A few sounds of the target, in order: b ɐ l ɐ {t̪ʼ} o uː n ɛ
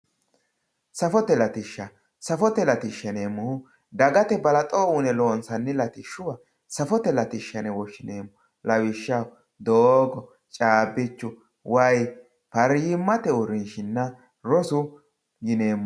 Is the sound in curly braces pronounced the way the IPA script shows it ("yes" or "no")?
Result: yes